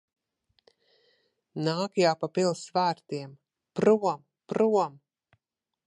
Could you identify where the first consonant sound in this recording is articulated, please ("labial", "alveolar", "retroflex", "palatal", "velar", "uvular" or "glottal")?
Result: alveolar